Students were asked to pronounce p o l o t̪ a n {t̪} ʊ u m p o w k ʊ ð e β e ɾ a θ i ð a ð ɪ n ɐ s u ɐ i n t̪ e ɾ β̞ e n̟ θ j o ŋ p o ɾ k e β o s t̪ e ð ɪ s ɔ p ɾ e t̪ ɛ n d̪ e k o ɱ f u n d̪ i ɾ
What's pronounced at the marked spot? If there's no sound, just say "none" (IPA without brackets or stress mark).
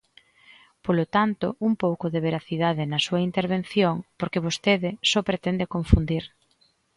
t̪